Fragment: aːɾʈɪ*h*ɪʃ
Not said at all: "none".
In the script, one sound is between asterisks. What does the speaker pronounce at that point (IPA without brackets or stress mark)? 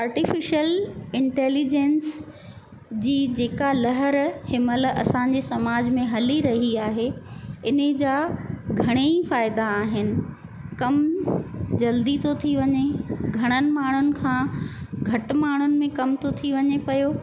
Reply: f